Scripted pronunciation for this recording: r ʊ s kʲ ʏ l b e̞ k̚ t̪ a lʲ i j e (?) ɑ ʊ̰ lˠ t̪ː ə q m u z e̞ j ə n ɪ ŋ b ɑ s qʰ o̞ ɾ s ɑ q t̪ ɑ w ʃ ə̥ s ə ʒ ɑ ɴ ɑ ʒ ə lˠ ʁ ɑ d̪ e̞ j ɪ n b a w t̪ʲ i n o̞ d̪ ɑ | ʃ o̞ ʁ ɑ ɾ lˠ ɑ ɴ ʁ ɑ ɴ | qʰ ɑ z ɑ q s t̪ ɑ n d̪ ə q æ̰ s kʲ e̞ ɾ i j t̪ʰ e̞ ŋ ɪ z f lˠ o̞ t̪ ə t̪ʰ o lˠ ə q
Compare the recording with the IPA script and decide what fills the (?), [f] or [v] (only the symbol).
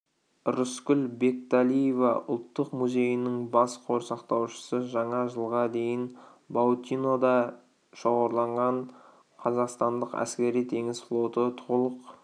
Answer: v